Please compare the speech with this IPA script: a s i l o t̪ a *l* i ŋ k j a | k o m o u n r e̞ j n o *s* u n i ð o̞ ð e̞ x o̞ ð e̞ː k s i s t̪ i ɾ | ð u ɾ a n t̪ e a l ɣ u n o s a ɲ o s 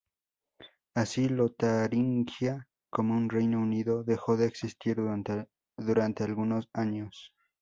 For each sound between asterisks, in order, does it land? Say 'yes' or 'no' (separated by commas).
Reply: no, no